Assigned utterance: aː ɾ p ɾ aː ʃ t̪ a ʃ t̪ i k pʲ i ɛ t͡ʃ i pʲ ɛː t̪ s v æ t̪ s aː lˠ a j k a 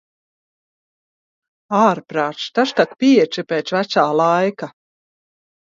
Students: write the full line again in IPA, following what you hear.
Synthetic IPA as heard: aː ɾ p ɾ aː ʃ t̪ a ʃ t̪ a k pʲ i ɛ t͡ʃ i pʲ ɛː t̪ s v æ t̪ s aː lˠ a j k a